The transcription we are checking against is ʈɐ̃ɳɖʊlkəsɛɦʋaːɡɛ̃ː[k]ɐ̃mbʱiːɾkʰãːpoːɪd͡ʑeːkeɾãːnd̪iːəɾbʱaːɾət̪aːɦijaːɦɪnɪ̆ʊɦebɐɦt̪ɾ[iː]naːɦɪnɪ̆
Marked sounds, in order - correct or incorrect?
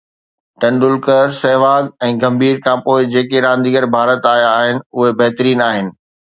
incorrect, correct

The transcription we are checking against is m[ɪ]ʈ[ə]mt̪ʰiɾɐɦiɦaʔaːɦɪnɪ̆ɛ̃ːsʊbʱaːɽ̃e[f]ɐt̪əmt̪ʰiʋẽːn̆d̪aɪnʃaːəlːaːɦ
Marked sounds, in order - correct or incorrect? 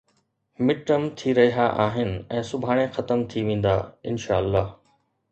correct, correct, incorrect

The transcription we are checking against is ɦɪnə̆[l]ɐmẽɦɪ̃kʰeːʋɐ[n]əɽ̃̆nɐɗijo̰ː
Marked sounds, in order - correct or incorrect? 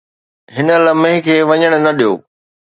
correct, incorrect

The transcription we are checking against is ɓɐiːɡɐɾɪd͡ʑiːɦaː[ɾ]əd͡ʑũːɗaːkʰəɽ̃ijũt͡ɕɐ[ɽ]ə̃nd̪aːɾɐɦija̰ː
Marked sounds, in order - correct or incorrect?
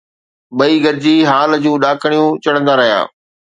incorrect, correct

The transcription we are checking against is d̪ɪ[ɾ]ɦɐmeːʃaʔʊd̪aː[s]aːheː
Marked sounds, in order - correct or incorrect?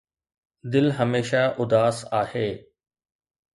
incorrect, correct

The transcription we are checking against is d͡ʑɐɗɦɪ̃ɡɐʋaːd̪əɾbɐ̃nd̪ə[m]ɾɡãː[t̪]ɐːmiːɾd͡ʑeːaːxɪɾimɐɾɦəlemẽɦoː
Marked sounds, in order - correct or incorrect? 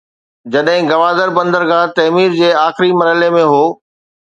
incorrect, correct

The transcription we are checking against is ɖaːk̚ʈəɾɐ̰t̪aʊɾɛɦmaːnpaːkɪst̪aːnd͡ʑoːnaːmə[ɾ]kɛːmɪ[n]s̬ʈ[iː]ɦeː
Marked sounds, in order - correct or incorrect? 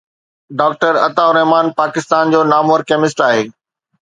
correct, incorrect, incorrect

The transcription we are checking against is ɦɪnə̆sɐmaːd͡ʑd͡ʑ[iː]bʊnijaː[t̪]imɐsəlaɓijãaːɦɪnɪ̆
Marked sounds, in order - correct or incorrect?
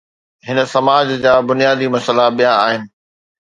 incorrect, incorrect

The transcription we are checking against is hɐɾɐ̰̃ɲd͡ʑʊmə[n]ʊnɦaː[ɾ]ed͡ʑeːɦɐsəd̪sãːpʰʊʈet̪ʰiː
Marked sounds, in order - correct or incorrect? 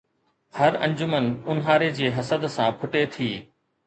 correct, correct

